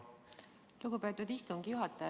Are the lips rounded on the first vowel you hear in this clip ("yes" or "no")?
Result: yes